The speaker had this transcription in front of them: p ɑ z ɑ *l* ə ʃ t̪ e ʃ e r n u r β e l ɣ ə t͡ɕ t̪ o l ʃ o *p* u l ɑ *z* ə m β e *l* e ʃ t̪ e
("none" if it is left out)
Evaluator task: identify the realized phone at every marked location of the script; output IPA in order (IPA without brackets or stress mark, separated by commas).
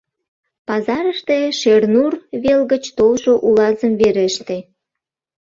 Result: ɾ, ʔ, z, ɾ